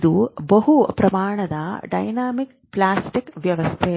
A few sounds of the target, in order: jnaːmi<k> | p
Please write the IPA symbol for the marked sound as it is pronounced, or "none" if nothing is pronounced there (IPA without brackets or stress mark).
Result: k